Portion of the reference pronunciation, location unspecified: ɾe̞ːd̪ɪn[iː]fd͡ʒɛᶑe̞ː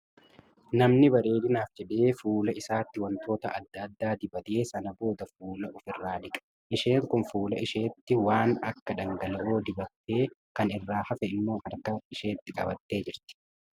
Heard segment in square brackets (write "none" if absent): aː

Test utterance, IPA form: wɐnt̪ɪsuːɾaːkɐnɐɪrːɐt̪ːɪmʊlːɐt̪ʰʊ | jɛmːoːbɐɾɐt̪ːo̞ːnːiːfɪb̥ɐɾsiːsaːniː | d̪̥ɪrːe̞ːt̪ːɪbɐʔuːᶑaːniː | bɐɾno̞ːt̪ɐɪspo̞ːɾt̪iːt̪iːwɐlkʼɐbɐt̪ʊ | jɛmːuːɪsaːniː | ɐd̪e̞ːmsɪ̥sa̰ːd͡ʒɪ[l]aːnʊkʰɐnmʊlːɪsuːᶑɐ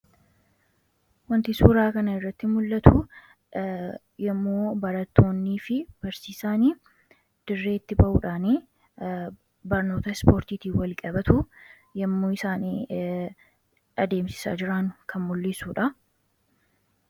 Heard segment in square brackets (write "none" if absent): ɾ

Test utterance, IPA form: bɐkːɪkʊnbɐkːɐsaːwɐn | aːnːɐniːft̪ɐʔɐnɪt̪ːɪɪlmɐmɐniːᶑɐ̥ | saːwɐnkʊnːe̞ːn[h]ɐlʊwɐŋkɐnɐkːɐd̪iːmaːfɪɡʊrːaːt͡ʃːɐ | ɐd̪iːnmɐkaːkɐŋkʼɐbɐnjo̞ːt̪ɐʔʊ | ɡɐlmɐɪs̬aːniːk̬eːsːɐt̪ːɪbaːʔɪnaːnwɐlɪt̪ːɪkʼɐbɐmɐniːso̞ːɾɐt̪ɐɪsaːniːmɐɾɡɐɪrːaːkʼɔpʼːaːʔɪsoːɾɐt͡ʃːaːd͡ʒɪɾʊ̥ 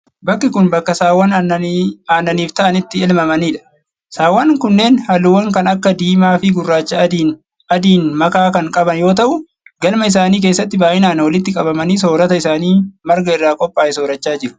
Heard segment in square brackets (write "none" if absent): h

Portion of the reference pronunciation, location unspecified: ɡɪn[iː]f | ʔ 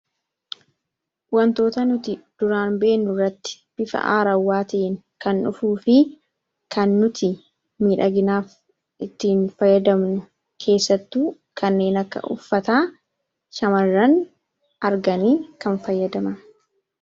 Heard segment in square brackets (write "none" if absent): aː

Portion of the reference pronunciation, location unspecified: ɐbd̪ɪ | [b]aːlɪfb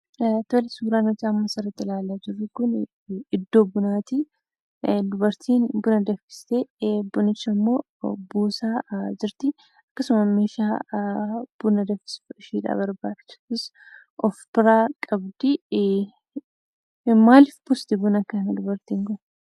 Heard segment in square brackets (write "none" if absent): m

